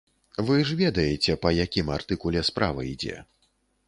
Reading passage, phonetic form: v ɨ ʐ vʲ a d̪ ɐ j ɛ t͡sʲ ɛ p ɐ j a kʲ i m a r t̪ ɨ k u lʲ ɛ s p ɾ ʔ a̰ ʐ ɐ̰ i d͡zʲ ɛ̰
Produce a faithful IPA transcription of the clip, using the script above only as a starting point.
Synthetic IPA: v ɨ ʐ vʲ ɛ d̪ ɐ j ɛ t͡sʲ ɛ p ɐ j a kʲ i m a r t̪ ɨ k u lʲ ɛ s p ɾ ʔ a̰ v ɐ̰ i d͡zʲ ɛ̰